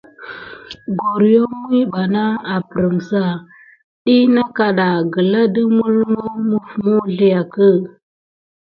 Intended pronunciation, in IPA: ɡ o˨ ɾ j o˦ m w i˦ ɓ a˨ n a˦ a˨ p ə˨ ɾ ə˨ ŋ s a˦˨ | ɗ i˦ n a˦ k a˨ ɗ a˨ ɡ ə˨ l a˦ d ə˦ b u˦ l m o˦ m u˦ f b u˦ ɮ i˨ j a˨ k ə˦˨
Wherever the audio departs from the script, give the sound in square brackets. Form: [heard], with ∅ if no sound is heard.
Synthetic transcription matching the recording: ɡ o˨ ɾ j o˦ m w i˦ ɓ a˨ n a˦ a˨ p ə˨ ɾ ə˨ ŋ s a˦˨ | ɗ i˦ n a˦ k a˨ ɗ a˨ ɡ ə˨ l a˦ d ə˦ [m] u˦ l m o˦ m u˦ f [m] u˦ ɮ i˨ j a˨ k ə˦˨